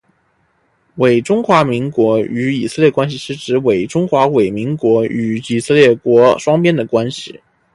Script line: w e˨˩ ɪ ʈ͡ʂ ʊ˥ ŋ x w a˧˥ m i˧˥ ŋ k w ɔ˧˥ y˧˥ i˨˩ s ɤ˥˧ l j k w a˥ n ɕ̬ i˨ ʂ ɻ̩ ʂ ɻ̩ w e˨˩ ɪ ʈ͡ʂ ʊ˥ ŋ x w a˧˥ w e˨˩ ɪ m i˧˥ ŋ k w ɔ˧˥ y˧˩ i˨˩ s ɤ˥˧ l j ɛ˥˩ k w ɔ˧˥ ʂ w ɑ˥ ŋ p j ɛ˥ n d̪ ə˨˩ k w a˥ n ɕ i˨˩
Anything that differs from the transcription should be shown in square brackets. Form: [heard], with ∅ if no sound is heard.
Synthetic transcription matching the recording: w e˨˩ ɪ ʈ͡ʂ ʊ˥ ŋ x w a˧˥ m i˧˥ ŋ k w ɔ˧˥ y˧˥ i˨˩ s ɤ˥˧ l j k w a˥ n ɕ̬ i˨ ʂ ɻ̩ [ʈ͡ʂ] ɻ̩ w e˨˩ ɪ ʈ͡ʂ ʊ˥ ŋ x w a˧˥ w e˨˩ ɪ m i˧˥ ŋ k w ɔ˧˥ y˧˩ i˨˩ s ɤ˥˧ l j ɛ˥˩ k w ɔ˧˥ ʂ w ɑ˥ ŋ p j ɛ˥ n d̪ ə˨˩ k w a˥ n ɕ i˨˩

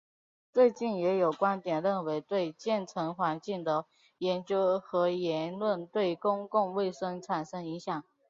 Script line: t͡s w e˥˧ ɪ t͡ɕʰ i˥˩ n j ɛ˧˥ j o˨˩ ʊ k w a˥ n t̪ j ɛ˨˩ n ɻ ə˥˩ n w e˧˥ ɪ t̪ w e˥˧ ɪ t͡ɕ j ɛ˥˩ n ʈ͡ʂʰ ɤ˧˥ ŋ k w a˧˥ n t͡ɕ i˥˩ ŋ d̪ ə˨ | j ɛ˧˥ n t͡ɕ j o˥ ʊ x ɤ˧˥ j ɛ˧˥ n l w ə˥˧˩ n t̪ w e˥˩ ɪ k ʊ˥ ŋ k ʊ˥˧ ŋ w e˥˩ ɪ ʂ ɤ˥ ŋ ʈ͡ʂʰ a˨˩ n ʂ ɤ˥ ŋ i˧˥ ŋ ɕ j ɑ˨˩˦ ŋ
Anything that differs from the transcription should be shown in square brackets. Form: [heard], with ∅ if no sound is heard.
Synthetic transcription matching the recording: t͡s w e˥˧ ɪ [t͡ɕ] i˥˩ n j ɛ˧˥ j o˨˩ ʊ k w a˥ n t̪ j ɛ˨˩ n ɻ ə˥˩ n w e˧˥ ɪ t̪ w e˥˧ ɪ t͡ɕ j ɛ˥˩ n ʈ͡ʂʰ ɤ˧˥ ŋ [x] w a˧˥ n t͡ɕ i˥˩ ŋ d̪ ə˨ | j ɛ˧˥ n t͡ɕ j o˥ ʊ x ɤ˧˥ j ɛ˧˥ n l w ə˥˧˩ n t̪ w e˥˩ ɪ k ʊ˥ ŋ k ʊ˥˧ ŋ w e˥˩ ɪ ʂ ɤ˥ ŋ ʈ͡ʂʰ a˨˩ n ʂ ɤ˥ ŋ i˧˥ ŋ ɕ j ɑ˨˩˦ ŋ

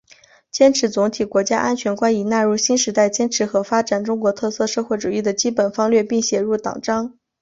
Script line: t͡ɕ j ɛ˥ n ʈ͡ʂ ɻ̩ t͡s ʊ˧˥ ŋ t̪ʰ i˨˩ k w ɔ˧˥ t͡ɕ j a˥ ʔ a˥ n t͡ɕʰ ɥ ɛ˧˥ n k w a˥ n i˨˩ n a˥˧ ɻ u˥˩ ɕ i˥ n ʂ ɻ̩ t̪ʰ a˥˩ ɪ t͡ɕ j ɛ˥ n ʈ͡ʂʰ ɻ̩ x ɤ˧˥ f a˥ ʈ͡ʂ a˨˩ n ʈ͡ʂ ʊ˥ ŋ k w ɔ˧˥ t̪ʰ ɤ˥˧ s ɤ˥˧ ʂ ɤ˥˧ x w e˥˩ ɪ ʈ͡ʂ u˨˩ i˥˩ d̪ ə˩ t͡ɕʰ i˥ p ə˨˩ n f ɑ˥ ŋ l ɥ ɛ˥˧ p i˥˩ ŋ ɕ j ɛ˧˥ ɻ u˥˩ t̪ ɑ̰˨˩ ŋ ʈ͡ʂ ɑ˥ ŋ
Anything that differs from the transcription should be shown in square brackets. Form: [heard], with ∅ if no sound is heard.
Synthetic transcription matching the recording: t͡ɕ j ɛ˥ n [ʈ͡ʂʰ] ɻ̩ t͡s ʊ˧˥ ŋ t̪ʰ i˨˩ k w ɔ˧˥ t͡ɕ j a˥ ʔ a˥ n t͡ɕʰ ɥ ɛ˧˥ n k w a˥ n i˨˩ n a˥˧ ɻ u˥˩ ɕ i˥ n ʂ ɻ̩ [t̪] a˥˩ ɪ t͡ɕ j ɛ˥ n ʈ͡ʂʰ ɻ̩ x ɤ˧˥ f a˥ ʈ͡ʂ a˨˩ n ʈ͡ʂ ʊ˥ ŋ k w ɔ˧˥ t̪ʰ ɤ˥˧ s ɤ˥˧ ʂ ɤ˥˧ x w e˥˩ ɪ ʈ͡ʂ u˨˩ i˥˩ d̪ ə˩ [t͡ɕ] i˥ p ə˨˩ n f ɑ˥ ŋ l ɥ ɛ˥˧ p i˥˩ ŋ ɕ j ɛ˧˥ ɻ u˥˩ t̪ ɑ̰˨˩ ŋ ʈ͡ʂ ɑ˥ ŋ

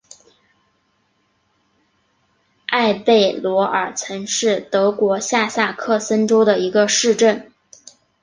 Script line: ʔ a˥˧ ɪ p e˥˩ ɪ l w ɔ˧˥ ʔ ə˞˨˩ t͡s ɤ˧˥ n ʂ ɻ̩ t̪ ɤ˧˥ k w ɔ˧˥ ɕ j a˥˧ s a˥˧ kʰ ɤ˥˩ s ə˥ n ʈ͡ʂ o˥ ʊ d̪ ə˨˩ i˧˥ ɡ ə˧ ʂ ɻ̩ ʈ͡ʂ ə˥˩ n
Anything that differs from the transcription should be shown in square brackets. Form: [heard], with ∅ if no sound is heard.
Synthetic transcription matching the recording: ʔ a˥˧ ɪ p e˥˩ ɪ l w ɔ˧˥ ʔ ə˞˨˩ [t͡sʰ] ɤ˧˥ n ʂ ɻ̩ t̪ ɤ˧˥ k w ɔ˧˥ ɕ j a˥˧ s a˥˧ kʰ ɤ˥˩ s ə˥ n ʈ͡ʂ o˥ ʊ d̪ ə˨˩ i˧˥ ɡ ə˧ ʂ ɻ̩ ʈ͡ʂ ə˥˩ n

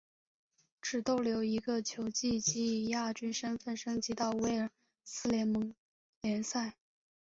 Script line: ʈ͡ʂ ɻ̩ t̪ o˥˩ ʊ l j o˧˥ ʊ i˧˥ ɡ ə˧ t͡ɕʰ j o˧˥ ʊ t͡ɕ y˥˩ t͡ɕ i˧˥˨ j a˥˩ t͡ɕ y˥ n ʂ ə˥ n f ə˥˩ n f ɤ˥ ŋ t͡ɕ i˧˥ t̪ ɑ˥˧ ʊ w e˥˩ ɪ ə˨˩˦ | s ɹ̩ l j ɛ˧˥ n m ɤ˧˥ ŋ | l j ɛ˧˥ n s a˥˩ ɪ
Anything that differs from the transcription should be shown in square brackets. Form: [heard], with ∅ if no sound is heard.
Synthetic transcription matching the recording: ʈ͡ʂ ɻ̩ t̪ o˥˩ ʊ l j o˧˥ ʊ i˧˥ ɡ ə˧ t͡ɕʰ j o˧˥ ʊ t͡ɕ [i˥˩] t͡ɕ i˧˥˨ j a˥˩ t͡ɕ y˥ n ʂ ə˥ n f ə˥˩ n [ʂ] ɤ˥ ŋ t͡ɕ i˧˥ t̪ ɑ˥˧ ʊ w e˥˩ ɪ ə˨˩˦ | s ɹ̩ l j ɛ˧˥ n m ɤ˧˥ ŋ | l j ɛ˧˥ n s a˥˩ ɪ

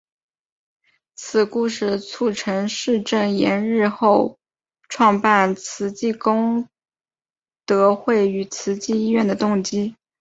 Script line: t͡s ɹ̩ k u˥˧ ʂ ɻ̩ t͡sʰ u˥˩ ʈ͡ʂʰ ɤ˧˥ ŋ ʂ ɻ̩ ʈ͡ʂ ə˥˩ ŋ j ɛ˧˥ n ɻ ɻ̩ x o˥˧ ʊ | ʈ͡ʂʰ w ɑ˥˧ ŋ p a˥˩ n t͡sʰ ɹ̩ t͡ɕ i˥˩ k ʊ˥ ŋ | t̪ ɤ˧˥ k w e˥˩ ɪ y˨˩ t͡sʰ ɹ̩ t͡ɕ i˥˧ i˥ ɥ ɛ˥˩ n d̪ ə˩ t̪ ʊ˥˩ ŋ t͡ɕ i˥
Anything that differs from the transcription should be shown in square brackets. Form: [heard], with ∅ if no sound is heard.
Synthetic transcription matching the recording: [t͡sʰ] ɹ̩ k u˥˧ ʂ ɻ̩ t͡sʰ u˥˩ ʈ͡ʂʰ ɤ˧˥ ŋ ʂ ɻ̩ ʈ͡ʂ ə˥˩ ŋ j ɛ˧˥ n ɻ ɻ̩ x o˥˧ ʊ | ʈ͡ʂʰ w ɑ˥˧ ŋ p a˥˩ n t͡sʰ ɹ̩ t͡ɕ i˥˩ k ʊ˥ ŋ | t̪ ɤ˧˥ [x] w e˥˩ ɪ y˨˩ t͡sʰ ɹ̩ t͡ɕ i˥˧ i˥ ɥ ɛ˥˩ n d̪ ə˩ t̪ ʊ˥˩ ŋ t͡ɕ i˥

